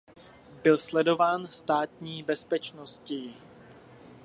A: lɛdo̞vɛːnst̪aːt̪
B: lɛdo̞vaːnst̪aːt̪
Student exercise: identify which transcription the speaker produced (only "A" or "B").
B